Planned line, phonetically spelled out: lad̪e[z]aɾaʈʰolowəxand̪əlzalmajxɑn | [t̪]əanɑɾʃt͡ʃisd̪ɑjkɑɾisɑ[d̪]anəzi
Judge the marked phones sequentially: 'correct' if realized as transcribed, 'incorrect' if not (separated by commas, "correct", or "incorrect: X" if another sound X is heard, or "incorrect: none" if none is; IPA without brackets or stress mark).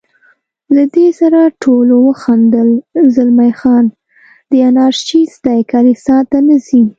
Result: incorrect: s, incorrect: d̪, incorrect: t̪